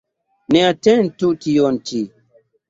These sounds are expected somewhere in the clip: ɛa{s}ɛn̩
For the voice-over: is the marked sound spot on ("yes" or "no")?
no